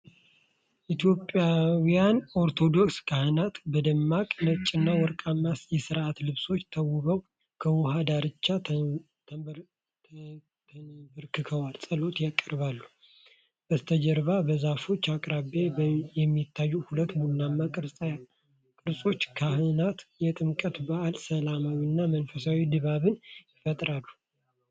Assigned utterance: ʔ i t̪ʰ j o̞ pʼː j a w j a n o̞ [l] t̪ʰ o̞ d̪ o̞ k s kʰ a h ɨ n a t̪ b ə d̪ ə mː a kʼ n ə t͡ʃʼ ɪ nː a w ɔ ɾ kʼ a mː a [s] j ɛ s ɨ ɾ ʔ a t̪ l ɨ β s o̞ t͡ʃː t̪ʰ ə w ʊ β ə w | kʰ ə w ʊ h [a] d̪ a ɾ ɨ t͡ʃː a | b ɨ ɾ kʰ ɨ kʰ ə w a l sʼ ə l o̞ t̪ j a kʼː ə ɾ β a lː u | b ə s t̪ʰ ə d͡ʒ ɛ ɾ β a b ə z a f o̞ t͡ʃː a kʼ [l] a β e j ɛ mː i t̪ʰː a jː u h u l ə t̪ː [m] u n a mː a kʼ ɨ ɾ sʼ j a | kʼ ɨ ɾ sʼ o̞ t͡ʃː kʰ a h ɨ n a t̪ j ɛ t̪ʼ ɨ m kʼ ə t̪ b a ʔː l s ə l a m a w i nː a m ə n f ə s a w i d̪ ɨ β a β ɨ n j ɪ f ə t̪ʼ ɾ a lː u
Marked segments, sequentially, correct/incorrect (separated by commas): incorrect, correct, correct, incorrect, correct